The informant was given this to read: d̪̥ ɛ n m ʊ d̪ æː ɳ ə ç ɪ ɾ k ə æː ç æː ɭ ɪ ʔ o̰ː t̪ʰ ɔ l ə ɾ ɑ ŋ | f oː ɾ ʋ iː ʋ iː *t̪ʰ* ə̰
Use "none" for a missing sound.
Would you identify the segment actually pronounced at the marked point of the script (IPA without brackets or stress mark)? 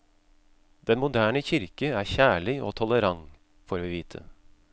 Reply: t̪ʰ